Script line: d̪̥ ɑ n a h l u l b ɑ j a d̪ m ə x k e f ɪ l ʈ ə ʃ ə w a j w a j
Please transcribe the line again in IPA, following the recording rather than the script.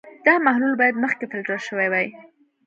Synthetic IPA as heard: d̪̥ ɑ m a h l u l b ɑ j a d̪ m ə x k e f ɪ l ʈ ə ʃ ə w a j w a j